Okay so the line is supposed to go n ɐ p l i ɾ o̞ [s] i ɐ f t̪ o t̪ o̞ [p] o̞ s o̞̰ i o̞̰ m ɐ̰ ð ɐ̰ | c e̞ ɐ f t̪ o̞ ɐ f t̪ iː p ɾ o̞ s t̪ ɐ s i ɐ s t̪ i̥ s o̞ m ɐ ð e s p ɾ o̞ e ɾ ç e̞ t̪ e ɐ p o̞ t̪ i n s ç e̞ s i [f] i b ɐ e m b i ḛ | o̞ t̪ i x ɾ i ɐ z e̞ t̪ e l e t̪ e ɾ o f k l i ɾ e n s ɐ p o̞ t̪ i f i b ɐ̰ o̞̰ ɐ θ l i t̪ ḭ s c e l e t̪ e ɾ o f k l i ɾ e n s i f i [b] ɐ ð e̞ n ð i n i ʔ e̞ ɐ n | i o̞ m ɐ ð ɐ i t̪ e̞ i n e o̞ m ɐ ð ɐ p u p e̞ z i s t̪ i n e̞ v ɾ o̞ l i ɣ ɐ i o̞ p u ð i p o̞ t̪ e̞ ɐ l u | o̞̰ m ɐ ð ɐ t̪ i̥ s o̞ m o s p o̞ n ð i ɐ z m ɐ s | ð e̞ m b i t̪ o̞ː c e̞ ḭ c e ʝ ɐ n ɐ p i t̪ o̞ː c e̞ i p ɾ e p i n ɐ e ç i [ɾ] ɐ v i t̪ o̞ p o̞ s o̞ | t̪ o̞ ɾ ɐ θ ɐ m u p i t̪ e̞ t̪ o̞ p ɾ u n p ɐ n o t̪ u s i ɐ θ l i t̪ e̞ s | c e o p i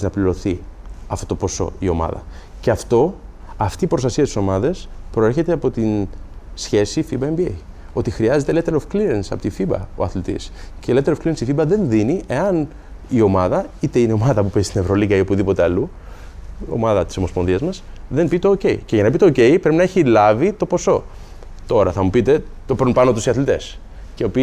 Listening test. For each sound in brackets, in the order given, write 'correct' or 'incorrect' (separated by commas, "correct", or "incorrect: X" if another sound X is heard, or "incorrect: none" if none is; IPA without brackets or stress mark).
incorrect: θ, correct, correct, correct, incorrect: l